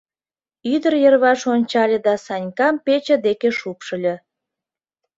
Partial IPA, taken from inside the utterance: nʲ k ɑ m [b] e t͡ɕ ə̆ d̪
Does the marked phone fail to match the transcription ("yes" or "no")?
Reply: yes